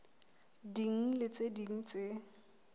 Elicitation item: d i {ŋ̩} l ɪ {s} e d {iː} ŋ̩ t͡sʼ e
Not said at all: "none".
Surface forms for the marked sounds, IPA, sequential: ŋ̩, t͡s, i

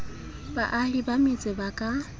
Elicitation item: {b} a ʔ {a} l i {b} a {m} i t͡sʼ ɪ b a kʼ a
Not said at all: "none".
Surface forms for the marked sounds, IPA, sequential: b, a, b, m

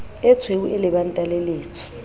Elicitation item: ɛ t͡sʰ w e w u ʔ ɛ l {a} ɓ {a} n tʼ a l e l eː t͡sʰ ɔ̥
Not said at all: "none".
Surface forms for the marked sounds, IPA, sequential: ɛ, a

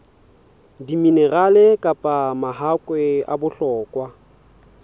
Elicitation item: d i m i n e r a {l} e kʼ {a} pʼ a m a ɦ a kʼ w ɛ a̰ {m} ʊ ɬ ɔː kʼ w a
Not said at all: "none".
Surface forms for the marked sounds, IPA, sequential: l, a, b

